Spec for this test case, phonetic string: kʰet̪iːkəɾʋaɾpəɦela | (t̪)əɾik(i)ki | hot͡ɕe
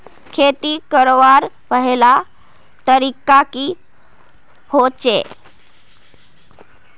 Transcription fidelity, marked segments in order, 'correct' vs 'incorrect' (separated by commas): correct, incorrect